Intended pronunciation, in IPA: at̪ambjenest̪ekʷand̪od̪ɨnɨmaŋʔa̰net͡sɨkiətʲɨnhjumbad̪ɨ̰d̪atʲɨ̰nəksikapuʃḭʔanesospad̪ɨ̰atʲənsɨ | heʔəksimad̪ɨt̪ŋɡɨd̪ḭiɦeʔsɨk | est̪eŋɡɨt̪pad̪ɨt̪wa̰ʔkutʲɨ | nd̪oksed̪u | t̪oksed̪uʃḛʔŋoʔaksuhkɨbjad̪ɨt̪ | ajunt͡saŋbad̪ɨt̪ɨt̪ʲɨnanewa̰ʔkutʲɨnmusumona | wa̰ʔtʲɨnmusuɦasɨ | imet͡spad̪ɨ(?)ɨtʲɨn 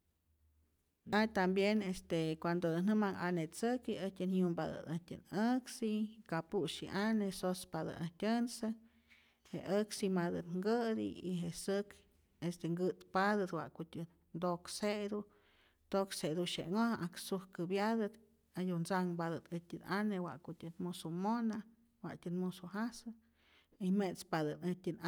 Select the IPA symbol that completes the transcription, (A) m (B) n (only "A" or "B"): B